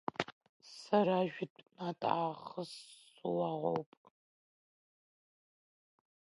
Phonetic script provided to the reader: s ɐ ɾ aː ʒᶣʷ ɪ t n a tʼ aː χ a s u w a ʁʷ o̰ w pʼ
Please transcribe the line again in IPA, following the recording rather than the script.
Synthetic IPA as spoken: s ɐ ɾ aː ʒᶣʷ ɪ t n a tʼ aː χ ə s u w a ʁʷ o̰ w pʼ

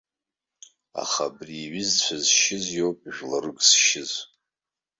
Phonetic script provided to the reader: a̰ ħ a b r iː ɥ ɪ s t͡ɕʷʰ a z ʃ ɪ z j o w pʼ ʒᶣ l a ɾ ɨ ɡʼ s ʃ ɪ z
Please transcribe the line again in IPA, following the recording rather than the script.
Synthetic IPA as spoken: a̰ χ a b r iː ɥ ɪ z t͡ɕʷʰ a z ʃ ɪ z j o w pʼ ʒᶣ l a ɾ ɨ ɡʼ s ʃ ɪ z

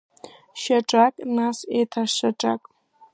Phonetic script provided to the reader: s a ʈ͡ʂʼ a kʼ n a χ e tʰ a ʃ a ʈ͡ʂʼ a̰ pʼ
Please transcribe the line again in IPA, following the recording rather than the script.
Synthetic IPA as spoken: ʃ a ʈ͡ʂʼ a kʼ n a s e tʰ a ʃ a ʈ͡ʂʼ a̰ kʼ

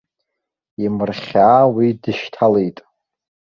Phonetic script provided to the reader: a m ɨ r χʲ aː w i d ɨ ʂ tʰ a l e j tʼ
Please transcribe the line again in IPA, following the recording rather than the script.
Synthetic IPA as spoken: i m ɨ r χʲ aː w i d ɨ ʃ tʰ a l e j tʼ

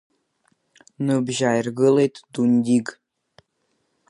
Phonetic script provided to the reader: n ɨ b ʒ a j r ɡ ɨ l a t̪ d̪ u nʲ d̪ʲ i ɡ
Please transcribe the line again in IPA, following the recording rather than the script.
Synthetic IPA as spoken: n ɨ b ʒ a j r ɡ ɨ l e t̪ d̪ u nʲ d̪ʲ i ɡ

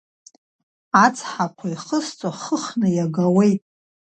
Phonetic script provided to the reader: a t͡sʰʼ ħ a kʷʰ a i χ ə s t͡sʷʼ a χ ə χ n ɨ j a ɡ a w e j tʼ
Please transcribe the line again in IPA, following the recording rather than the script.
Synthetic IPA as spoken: a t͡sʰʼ ħ a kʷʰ a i χ ə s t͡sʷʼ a χ ə χ n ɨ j a ɡ a w e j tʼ

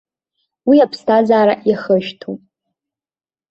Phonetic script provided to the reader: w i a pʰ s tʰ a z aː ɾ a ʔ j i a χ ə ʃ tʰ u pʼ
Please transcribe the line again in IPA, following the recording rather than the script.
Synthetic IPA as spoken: w i a pʰ s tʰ a z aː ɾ a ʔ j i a χ ə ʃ tʰ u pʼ

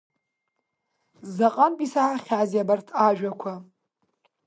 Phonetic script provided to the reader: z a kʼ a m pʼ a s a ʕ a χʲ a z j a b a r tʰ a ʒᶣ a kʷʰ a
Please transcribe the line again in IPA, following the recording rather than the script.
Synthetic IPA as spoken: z a qʼ a n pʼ i s a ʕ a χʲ a z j a b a r tʰ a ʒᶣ a kʷʰ a

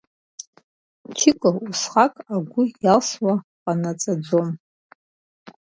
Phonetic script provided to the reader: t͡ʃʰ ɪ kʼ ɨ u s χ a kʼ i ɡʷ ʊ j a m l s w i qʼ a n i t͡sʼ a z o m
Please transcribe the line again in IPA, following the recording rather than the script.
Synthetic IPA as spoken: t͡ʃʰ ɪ kʼ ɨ u s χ a kʼ a ɡʷ ʊ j a l s w a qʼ a n a t͡sʼ a d͡z o m

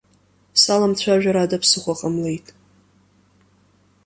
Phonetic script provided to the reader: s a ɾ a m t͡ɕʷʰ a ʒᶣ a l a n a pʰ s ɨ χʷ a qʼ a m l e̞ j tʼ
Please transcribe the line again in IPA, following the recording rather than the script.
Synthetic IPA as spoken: s a l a m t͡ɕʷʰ a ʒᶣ a ɾ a d a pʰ s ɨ χʷ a qʼ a m l e̞ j tʼ

